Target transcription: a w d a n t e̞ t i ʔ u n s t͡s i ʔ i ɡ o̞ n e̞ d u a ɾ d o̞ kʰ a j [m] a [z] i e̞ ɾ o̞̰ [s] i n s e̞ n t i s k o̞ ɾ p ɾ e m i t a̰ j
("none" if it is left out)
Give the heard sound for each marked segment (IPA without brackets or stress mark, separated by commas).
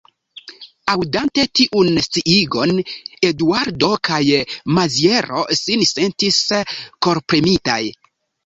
m, z, s